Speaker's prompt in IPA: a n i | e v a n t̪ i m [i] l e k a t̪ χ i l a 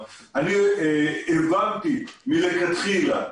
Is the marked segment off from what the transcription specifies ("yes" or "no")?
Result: no